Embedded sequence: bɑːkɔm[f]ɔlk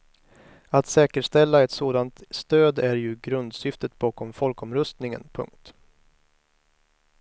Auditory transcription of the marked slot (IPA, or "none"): f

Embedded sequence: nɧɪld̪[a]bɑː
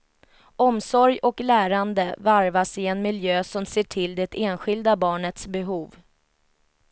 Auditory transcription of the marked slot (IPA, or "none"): a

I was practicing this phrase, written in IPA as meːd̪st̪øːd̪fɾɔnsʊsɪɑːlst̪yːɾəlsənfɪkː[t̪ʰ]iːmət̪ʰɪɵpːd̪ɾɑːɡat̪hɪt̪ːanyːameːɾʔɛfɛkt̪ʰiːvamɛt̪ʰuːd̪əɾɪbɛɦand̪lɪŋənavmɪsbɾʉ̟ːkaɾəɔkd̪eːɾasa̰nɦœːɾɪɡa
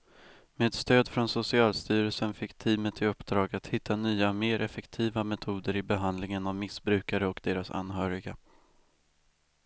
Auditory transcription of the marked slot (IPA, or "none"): t̪ʰ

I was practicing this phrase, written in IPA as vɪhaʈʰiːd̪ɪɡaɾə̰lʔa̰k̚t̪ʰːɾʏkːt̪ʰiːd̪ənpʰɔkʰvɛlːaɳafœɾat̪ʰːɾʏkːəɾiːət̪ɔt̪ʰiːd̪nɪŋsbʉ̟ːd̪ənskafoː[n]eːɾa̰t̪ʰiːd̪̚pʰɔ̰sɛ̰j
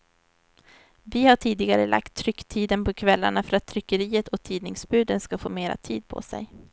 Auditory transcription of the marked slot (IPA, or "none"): m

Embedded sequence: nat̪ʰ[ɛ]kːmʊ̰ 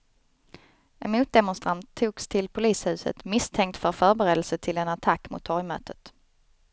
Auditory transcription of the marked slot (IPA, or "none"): a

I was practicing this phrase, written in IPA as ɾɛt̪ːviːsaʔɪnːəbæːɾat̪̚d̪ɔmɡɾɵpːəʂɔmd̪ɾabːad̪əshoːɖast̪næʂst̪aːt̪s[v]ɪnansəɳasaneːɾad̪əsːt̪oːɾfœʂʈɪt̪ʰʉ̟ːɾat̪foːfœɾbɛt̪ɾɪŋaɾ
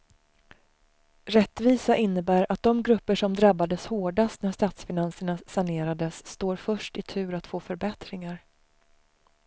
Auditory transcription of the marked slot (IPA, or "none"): f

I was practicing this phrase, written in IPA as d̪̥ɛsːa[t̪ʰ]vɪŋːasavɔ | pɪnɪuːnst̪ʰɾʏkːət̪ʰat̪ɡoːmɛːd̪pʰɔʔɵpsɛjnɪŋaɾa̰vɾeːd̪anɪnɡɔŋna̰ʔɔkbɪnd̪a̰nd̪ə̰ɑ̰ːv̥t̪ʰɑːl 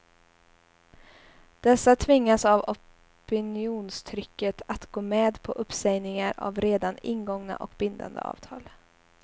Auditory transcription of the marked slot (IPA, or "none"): t̪ʰ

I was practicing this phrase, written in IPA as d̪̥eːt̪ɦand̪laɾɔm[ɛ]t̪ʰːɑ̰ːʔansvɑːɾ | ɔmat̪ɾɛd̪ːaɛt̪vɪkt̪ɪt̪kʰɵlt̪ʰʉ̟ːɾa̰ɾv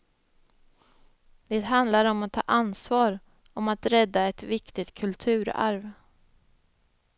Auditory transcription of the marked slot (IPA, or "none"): a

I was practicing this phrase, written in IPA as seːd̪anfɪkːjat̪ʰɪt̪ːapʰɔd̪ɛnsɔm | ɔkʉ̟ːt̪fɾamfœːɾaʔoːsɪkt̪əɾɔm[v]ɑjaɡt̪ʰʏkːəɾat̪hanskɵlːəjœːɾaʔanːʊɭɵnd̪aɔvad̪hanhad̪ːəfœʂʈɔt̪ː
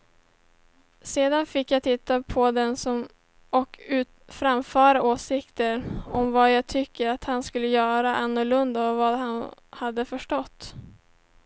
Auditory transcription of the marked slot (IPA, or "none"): v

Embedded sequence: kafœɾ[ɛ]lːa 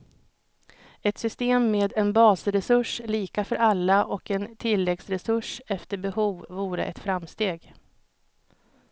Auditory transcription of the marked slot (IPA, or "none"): a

